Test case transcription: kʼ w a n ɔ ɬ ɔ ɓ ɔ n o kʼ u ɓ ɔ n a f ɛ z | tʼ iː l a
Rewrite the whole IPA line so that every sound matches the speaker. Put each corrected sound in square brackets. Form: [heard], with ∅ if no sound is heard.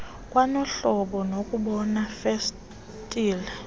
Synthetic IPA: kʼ w a n ɔ ɬ ɔ ɓ ɔ n o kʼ u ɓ ɔ n a f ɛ [s] | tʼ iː l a

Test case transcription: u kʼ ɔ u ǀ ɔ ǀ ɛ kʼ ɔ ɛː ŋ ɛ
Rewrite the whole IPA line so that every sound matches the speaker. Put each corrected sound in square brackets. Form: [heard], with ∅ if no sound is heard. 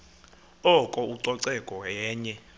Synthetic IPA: [ɔ] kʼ ɔ u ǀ ɔ ǀ ɛ kʼ ɔ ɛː [ɲ] ɛ

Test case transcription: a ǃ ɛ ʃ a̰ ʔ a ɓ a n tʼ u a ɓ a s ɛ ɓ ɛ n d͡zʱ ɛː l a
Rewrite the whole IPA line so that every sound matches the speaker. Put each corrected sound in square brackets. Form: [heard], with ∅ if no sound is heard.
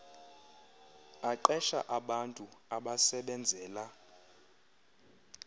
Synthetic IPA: a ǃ ɛ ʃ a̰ ʔ a ɓ a n tʼ u a ɓ a s ɛ ɓ ɛ n d͡zʱ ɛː l a

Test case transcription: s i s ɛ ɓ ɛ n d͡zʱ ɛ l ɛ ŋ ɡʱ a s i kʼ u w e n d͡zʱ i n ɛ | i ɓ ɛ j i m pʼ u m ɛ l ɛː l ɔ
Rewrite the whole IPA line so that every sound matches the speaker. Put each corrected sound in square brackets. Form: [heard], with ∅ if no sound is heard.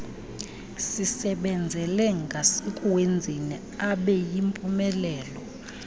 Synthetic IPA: s i s ɛ ɓ ɛ n d͡zʱ ɛ l ɛ ŋ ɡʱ a s i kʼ u w e n d͡zʱ i n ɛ | [a] ɓ ɛ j i m pʼ u m ɛ l ɛː l ɔ

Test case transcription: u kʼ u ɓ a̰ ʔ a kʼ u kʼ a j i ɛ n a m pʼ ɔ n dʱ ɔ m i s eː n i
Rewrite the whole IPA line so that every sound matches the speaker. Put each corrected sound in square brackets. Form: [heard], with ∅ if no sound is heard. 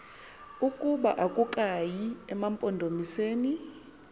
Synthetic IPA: u kʼ u ɓ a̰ ʔ a kʼ u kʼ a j i ɛ [m] a m pʼ ɔ n dʱ [o] m i s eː n i

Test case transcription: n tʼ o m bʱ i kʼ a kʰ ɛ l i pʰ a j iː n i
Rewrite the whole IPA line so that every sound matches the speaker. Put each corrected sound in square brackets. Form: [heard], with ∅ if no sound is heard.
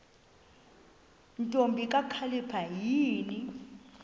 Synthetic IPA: n tʼ o m bʱ i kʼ a kʰ [a] l i pʰ a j iː n i

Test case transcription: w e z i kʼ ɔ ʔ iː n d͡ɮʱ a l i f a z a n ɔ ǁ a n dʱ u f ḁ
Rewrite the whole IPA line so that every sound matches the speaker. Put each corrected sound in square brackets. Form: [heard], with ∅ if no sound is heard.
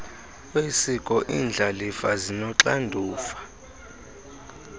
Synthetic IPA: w e [s] i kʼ ɔ ʔ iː n d͡ɮʱ a l i f a z [i] n ɔ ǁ a n dʱ [uː] f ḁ

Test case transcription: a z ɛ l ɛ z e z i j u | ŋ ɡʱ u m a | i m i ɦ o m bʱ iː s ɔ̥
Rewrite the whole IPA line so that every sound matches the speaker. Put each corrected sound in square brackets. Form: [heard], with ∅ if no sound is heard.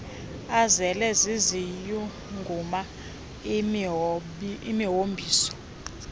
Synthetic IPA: a z ɛ l ɛ z [i] z i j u | ŋ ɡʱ u m a | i m i ɦ o m bʱ iː s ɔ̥

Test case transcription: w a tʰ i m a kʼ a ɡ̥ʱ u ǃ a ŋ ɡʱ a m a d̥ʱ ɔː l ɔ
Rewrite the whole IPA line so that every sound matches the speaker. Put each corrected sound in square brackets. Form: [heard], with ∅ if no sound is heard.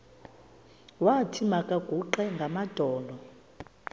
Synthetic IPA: w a tʰ i m a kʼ a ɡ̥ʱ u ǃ [ɛ] ŋ ɡʱ a m a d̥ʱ ɔː l ɔ

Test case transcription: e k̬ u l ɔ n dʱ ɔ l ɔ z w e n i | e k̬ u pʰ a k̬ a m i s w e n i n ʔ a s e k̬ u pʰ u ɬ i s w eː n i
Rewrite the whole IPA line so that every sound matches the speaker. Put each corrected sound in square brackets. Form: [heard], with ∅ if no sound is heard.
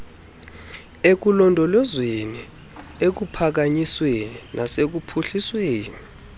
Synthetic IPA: e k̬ u l ɔ n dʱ ɔ l ɔ z w e n i | e k̬ u pʰ a k̬ a [ɲ] i s w e n i n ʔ a s e k̬ u pʰ u ɬ i s w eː n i

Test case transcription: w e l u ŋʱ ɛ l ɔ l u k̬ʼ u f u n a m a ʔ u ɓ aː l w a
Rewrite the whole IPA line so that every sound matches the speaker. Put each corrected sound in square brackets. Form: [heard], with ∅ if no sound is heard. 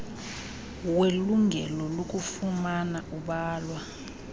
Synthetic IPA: w e l u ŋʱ ɛ l ɔ l [o] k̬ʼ u f u [m] a [n] a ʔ u ɓ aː l w a

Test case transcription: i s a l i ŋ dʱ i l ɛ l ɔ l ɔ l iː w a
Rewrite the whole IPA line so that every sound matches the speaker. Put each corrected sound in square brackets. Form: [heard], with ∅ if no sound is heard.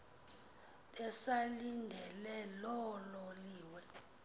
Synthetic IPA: [ɛ] s a l i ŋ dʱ [ɛ] l ɛ l ɔ l ɔ l iː w [ɛ]

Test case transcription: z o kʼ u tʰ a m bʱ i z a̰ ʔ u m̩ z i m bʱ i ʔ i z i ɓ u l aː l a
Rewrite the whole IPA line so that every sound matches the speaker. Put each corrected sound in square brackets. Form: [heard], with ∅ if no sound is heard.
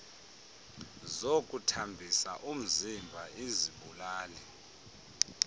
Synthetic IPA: z o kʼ u tʰ a m bʱ i [s] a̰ ʔ u m̩ z i m bʱ [a] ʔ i z i ɓ u l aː l [ɛ]

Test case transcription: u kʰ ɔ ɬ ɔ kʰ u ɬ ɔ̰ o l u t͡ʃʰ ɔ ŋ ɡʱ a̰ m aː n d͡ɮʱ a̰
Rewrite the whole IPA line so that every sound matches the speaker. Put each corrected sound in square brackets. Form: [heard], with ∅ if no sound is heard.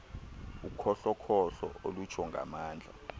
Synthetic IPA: u kʰ ɔ ɬ ɔ kʰ [ɔ] ɬ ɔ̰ o l u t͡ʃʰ ɔ ŋ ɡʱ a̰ m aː n d͡ɮʱ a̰

